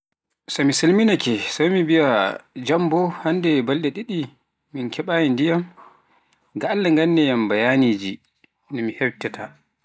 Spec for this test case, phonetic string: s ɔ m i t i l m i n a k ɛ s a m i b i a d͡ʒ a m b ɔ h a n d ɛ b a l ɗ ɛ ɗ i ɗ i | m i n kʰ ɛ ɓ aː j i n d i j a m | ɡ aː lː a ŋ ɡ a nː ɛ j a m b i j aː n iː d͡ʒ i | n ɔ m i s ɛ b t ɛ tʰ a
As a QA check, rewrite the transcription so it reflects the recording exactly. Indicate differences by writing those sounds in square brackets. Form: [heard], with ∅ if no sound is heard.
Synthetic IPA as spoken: s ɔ m i [s] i l m i n a k ɛ s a m i b i a d͡ʒ a m b ɔ h a n d ɛ b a l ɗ ɛ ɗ i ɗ i | m i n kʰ ɛ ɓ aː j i n d i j a m | ɡ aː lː a ŋ ɡ a nː ɛ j a m b [a] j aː n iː d͡ʒ i | n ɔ m i [h] ɛ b t ɛ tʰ a